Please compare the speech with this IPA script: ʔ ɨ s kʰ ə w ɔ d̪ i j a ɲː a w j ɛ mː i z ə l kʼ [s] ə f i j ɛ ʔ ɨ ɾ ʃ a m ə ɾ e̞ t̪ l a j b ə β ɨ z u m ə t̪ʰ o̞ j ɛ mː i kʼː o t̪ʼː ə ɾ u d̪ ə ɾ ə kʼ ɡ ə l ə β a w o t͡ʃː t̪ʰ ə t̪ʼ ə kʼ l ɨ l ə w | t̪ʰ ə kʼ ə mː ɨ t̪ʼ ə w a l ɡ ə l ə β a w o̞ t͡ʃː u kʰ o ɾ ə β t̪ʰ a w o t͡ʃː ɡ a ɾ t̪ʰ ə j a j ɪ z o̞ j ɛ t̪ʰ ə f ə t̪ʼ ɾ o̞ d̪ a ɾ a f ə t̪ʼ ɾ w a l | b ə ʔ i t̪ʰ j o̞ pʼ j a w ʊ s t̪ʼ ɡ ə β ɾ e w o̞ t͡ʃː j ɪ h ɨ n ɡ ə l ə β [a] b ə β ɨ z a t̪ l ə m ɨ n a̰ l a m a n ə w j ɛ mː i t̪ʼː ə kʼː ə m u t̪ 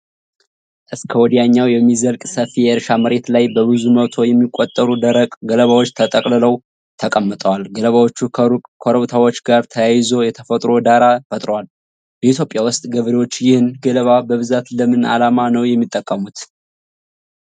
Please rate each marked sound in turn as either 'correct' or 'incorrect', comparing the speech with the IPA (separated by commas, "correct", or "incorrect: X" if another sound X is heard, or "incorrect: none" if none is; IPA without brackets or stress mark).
correct, correct